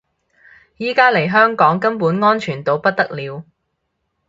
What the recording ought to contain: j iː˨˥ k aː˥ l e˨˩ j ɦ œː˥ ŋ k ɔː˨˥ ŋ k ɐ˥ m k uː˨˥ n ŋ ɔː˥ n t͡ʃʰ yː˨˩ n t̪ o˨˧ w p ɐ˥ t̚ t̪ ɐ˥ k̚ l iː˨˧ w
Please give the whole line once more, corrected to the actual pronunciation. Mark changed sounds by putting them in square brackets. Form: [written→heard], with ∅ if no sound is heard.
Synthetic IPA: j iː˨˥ k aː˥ l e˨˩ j ɦ œː˥ ŋ k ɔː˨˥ ŋ k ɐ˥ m [k→p] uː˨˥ n ŋ ɔː˥ n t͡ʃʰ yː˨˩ n t̪ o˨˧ w p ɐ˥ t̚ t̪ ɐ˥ k̚ l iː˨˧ w